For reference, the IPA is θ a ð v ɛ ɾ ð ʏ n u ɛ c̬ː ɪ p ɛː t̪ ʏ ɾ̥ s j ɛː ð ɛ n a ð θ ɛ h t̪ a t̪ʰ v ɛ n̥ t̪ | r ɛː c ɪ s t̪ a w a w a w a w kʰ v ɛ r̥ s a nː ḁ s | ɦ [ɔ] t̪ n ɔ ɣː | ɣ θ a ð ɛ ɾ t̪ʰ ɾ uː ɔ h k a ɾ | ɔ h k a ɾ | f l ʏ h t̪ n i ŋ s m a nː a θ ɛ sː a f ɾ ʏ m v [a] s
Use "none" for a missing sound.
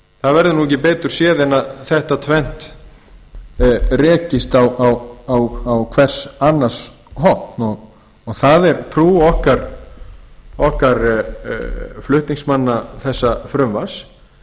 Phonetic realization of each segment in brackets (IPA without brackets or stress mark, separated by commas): ɔ, a